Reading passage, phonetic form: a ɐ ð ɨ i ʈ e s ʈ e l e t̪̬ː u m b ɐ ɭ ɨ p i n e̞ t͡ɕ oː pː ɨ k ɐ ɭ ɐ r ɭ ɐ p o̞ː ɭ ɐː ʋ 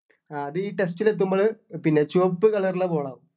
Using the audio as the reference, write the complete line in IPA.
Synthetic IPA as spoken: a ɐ ð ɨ iː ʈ e s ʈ i l e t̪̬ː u m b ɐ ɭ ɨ p i nː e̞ t͡ɕ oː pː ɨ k ɐ ɭ ɐ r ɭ ɐ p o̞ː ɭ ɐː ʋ